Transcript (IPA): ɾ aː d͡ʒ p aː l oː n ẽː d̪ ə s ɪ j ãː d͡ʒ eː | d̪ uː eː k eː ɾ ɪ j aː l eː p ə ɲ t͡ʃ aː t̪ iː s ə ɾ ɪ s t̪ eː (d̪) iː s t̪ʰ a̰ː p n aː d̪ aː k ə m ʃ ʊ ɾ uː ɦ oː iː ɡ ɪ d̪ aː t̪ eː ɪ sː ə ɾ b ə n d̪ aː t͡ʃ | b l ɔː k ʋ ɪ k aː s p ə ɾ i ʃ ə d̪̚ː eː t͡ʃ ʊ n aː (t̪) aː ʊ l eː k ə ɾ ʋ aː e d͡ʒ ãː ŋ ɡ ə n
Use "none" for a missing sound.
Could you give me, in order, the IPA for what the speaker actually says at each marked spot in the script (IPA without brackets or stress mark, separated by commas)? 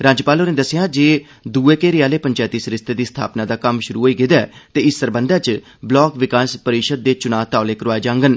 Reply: d̪, t̪